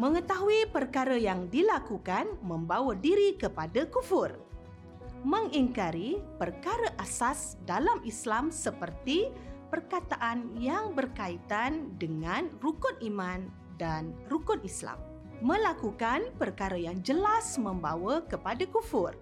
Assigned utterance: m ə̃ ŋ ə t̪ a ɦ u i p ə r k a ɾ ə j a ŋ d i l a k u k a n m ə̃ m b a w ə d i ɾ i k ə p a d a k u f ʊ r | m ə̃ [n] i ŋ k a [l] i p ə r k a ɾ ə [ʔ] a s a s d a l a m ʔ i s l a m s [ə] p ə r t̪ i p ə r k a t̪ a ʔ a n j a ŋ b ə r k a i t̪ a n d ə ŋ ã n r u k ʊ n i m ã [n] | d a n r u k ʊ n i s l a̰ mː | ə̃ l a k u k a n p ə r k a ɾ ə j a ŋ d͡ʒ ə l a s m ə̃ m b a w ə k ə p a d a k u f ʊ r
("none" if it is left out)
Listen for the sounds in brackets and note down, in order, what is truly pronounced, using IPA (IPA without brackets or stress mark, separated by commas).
ŋ, ɾ, ʔ, ə, n